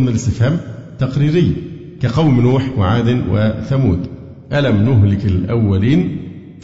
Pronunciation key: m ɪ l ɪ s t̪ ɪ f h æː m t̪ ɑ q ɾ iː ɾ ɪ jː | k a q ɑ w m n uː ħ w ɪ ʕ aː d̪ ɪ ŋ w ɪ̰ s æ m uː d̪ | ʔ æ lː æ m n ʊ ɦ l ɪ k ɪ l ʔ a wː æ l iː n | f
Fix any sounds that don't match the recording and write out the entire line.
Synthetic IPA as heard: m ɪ l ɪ s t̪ ɪ f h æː m t̪ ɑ q ɾ iː ɾ ɪ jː | k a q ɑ w m n uː ħ w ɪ ʕ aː d̪ ɪ n w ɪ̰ θ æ m uː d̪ | ʔ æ l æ m n ʊ ɦ l ɪ k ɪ l ʔ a wː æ l iː n | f